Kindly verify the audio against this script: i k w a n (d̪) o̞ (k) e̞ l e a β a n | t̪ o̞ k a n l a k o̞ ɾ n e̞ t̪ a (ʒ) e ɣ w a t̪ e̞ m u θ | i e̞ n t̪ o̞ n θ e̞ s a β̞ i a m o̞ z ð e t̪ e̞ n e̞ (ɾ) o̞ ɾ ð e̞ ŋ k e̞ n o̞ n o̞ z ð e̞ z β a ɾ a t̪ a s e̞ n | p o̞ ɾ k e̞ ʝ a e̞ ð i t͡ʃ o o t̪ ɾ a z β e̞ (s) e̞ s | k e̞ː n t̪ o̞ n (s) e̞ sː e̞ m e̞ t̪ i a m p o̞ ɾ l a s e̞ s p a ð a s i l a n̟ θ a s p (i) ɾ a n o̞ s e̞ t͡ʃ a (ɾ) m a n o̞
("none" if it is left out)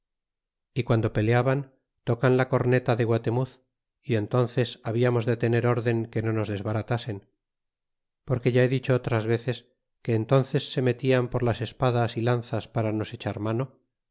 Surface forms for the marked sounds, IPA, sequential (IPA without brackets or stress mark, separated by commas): d̪, p, ð, ɾ, θ, θ, a, ɾ